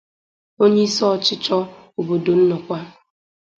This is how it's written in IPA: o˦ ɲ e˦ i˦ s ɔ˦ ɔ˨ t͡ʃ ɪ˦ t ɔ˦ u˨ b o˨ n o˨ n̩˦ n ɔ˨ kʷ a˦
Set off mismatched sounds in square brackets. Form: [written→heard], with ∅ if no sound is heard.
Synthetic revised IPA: o˦ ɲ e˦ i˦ s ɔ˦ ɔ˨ t͡ʃ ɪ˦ [t→t͡ʃ] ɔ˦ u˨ b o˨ [n→d] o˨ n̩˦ n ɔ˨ kʷ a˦